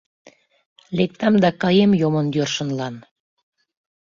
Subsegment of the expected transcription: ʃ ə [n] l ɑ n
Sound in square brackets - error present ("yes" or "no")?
no